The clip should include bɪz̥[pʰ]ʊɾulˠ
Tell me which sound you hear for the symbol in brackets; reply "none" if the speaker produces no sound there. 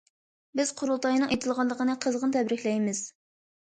qʰ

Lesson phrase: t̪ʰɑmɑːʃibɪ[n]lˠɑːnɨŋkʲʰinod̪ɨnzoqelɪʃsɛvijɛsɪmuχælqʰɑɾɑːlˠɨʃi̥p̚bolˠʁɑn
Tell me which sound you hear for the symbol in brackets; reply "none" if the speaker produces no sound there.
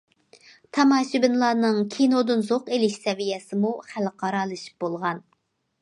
n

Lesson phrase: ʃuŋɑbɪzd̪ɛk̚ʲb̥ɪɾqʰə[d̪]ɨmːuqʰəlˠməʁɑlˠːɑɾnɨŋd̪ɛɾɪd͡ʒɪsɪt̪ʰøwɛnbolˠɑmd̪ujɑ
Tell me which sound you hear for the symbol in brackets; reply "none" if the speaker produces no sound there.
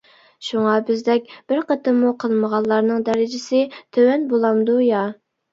t̪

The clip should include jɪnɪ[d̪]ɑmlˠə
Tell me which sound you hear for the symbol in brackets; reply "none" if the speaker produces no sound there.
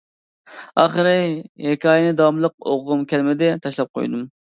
d̪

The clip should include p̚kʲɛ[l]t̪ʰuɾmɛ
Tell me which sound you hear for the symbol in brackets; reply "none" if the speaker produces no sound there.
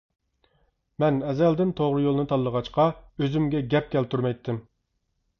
l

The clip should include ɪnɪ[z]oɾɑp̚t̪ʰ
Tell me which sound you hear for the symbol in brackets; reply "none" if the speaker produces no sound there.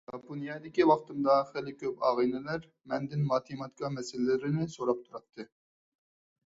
s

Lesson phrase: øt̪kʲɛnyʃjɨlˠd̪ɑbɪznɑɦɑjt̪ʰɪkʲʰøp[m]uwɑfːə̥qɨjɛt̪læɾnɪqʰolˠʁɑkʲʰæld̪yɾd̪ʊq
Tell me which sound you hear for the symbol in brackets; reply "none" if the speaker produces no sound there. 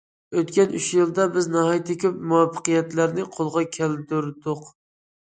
m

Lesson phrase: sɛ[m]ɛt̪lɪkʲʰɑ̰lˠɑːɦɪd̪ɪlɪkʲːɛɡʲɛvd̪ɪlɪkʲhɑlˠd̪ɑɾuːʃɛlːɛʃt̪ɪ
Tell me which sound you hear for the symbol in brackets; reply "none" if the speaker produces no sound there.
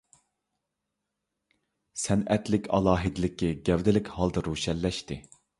n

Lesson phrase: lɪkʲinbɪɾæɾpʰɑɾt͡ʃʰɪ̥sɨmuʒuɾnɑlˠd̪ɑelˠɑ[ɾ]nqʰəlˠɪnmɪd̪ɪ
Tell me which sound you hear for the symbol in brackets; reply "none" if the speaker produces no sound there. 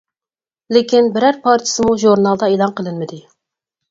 none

